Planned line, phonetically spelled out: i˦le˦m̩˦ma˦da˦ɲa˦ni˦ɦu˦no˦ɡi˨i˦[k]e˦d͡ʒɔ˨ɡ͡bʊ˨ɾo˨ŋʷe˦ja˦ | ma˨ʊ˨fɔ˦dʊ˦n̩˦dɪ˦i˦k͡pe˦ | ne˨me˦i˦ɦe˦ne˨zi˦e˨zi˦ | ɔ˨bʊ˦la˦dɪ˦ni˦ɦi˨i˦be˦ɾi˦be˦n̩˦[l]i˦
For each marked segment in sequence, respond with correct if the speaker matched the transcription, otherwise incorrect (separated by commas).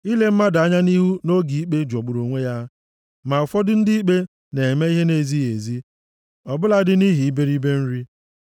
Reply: incorrect, incorrect